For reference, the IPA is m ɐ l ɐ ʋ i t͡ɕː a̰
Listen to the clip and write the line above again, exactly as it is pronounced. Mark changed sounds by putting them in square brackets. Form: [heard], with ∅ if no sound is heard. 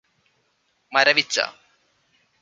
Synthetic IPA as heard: m ɐ [ɾ] ɐ ʋ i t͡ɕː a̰